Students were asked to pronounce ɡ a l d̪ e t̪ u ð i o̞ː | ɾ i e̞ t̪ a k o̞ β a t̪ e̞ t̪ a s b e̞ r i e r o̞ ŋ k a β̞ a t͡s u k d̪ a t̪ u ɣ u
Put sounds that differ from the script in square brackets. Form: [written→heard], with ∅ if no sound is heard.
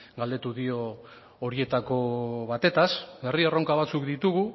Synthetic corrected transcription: ɡ a l d̪ e t̪ u ð i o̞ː | ɾ i e̞ t̪ a k o̞ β a t̪ e̞ t̪ a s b e̞ r i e r o̞ ŋ k a β̞ a t͡s u k d̪ [a→i] t̪ u ɣ u